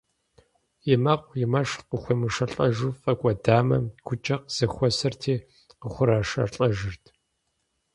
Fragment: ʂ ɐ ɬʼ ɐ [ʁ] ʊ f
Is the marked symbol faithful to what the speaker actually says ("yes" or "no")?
no